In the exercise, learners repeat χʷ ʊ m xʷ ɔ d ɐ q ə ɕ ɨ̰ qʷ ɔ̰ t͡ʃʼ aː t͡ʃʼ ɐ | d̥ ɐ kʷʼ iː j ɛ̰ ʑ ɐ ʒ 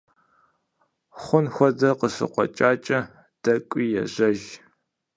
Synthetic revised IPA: χʷ ʊ n xʷ ɔ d ɐ q ə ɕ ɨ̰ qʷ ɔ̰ t͡ʃʼ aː t͡ʃʼ ɐ | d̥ ɐ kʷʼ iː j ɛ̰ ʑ ɐ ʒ